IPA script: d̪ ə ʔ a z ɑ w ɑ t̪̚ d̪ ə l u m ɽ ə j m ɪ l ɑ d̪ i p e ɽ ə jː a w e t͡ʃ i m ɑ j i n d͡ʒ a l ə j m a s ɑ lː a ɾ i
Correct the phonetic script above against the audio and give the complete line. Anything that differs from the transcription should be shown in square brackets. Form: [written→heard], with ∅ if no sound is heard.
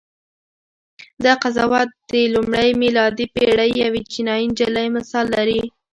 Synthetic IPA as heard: d̪ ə [ʔ→q] a z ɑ w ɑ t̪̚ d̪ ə l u m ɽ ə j m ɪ l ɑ d̪ i p e ɽ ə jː a w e t͡ʃ i [m→n] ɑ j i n d͡ʒ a l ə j m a s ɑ lː a ɾ i